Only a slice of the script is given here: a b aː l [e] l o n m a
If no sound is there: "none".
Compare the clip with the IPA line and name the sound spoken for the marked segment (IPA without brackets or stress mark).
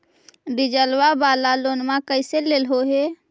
a